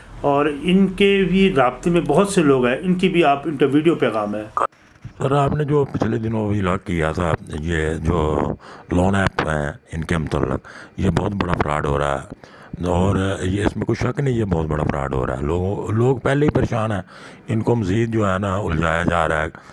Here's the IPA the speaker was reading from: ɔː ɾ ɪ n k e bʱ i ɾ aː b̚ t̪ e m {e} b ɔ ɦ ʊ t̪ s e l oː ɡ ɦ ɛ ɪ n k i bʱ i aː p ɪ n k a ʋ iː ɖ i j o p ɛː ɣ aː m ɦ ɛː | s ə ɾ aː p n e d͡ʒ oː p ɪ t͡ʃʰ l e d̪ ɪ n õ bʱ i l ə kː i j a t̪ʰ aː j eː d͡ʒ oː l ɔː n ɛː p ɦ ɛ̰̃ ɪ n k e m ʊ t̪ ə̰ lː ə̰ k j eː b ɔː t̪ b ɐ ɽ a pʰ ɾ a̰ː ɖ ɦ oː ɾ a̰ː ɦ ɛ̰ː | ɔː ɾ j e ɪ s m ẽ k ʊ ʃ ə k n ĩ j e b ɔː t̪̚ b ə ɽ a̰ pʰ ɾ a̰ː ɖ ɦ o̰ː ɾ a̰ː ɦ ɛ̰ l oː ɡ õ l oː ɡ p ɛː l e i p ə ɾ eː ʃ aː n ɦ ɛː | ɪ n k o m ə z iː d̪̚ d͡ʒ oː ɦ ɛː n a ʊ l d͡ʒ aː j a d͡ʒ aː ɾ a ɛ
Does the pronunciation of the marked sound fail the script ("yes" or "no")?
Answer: yes